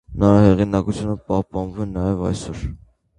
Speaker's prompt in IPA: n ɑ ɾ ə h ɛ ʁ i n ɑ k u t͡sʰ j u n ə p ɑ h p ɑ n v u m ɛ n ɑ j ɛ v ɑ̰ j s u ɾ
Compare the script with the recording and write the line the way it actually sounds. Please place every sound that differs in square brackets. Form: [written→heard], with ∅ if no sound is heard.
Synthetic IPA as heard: n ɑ ɾ [ə→ɑ] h ɛ ʁ i n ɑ k u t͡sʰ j u n ə p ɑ h p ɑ n v u m ɛ n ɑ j ɛ v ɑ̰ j s [u→ɔ] ɾ

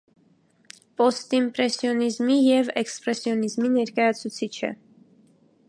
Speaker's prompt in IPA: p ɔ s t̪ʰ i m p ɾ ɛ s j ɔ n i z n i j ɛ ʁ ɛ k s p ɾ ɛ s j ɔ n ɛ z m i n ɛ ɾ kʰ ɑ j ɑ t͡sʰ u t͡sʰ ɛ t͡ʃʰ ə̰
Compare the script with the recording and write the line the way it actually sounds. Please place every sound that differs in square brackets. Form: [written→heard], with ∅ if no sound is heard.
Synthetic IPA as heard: p ɔ s [t̪ʰ→t̪] i m p ɾ ɛ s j ɔ n i z [n→m] i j ɛ [ʁ→v] ɛ k s p ɾ ɛ s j ɔ n [ɛ→i] z m i n ɛ ɾ [kʰ→k] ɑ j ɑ t͡sʰ u t͡sʰ [ɛ→i] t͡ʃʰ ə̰

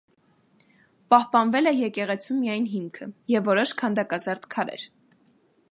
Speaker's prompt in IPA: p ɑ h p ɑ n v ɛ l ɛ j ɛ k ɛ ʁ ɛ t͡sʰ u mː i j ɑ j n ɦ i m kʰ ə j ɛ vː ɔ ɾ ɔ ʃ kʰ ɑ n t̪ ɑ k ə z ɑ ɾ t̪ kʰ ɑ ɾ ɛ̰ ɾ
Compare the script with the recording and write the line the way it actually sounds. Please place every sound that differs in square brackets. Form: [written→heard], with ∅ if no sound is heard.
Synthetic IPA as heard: p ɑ h p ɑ n v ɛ l ɛ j ɛ k ɛ ʁ ɛ t͡sʰ u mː i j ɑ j n ɦ i m kʰ ə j ɛ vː ɔ ɾ ɔ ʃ kʰ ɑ n [t̪→d̪] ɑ k [ə→ɑ] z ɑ ɾ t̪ kʰ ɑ ɾ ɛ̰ ɾ

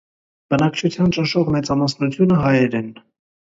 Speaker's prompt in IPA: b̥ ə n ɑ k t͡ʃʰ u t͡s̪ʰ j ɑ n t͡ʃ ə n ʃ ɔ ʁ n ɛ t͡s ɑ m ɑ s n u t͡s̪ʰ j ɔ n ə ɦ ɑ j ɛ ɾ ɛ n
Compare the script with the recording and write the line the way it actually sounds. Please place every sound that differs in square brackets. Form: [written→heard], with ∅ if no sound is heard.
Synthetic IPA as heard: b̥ ə n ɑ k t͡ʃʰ u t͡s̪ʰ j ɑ n t͡ʃ ə n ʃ ɔ ʁ [n→m] ɛ t͡s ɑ m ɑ s n u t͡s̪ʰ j [ɔ→u] n ə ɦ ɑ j ɛ ɾ ɛ n

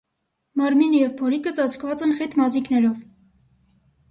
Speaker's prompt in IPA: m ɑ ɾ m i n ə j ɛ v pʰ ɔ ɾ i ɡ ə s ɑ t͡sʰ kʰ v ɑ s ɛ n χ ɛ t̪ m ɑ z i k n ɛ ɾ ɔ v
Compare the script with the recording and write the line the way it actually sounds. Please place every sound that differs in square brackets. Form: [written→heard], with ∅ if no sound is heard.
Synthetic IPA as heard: m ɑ ɾ m i n ə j ɛ v pʰ ɔ ɾ i [ɡ→k] ə [s→t͡s] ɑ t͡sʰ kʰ v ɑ [s→t͡s] ɛ n χ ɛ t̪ m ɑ z i k n ɛ ɾ ɔ v

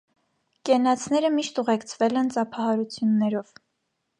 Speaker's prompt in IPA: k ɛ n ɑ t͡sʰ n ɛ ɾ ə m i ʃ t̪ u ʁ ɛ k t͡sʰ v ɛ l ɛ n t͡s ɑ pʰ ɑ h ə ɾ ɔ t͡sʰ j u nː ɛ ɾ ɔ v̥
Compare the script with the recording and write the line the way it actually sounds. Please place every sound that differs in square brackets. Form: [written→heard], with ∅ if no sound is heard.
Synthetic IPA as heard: k ɛ n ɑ t͡sʰ n ɛ ɾ ə m i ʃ t̪ u ʁ ɛ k t͡sʰ v ɛ l ɛ n t͡s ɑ pʰ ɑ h [ə→ɑ] ɾ [ɔ→u] t͡sʰ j u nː ɛ ɾ ɔ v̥

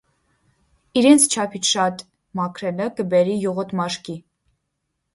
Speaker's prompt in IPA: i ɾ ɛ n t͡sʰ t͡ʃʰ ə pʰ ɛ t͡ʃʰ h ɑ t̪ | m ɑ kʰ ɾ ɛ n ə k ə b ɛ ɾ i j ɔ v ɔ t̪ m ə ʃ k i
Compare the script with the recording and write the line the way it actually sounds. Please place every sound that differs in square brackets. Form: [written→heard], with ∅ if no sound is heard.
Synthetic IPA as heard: i ɾ ɛ n t͡sʰ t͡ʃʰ [ə→ɑ] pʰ [ɛ→i] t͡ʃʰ [h→ʃ] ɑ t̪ | m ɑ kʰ ɾ ɛ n ə k ə b ɛ ɾ i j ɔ [v→ʁ] ɔ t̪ m [ə→ɑ] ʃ k i

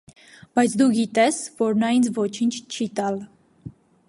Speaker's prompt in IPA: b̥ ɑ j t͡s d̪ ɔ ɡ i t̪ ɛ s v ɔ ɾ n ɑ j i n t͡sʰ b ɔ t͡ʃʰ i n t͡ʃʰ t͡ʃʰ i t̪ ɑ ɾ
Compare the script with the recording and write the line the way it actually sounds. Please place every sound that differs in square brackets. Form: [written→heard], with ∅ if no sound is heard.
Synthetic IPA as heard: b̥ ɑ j [t͡s→t͡sʰ] d̪ [ɔ→u] ɡ i t̪ ɛ s v ɔ ɾ n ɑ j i n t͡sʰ [b→v] ɔ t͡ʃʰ i n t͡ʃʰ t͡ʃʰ i t̪ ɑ [ɾ→l]

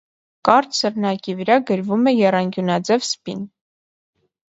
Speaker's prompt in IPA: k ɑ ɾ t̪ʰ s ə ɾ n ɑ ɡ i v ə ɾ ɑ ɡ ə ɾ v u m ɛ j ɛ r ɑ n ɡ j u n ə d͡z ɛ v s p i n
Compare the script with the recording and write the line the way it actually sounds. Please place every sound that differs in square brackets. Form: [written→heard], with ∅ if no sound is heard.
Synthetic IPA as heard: k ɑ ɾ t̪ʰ s ə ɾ n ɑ [ɡ→k] i v ə ɾ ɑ ɡ ə ɾ v u m ɛ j ɛ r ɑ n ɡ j u n [ə→ɑ] d͡z ɛ v s p i n

